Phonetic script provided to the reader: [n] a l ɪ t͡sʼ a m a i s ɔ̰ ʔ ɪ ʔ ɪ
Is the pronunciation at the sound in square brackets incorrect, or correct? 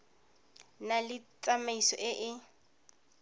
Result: correct